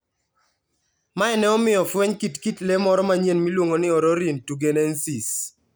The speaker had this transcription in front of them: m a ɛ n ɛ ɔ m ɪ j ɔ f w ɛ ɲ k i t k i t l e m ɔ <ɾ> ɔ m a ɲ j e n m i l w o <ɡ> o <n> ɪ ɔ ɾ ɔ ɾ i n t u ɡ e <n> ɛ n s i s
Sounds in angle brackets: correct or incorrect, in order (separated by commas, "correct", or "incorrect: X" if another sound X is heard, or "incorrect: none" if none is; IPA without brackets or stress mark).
correct, incorrect: ŋ, correct, correct